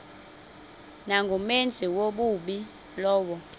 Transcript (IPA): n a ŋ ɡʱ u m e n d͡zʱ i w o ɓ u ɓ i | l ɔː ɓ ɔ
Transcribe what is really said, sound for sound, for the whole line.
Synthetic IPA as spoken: n a ŋ ɡʱ u m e n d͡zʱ i w o ɓ u ɓ i | l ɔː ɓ ɔ